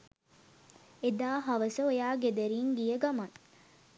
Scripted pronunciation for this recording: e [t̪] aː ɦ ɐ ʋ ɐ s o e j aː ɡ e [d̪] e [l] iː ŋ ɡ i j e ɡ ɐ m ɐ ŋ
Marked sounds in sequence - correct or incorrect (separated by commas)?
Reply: incorrect, correct, incorrect